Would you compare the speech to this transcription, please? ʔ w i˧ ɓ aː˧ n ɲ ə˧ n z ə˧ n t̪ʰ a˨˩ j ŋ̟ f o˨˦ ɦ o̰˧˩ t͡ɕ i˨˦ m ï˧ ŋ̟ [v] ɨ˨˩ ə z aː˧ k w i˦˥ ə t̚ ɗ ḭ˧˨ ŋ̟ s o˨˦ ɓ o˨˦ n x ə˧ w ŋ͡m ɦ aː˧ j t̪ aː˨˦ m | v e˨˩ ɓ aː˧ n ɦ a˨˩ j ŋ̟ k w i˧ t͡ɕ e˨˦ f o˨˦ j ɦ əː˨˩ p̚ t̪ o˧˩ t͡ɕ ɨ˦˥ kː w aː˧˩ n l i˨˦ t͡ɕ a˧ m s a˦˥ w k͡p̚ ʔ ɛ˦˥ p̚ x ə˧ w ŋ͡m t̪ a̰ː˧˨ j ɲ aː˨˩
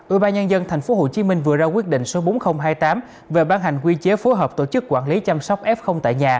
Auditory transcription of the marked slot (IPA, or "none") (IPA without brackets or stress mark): v